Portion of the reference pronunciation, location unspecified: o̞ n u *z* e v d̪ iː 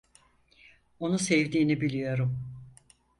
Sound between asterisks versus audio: incorrect: s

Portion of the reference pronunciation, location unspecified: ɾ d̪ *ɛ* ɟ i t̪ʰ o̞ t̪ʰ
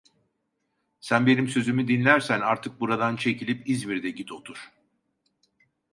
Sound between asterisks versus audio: correct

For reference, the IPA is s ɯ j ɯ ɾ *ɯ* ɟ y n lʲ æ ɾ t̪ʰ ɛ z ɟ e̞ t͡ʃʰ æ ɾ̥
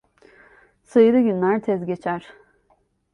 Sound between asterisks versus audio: correct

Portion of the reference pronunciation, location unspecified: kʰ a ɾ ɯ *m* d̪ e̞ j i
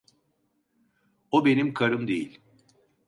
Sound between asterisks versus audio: correct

